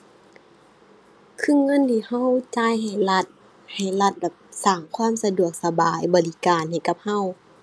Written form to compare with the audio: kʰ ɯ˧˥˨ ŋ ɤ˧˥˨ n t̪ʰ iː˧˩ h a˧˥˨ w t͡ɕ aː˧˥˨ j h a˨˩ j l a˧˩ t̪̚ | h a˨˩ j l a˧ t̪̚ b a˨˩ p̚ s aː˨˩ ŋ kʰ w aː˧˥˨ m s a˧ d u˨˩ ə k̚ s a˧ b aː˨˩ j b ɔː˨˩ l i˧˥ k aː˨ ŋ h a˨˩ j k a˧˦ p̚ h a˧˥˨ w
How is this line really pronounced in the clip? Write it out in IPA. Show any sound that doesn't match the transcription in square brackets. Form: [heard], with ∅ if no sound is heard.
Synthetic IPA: kʰ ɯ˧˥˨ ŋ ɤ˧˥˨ n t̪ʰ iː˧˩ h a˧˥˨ w t͡ɕ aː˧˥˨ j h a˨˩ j l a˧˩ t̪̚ | h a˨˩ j l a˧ t̪̚ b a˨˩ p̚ s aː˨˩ ŋ kʰ w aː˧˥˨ m s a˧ d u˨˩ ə k̚ s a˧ b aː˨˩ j b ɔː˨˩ l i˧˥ k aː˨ [n] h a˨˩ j k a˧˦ p̚ h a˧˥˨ w